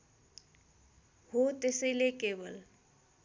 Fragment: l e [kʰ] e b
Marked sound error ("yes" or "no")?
yes